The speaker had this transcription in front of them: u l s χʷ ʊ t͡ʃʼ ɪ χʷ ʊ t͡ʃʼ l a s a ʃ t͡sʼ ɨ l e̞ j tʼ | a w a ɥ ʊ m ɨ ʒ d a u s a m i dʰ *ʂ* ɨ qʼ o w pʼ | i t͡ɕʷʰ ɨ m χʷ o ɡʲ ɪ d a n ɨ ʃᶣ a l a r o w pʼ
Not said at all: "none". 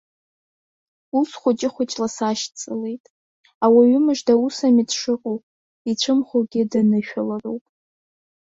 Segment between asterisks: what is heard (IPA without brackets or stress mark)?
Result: ʂ